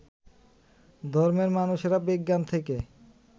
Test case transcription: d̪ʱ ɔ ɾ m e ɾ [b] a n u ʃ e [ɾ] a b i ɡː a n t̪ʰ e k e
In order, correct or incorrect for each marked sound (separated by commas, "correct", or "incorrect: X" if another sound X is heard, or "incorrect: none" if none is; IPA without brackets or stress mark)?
incorrect: m, correct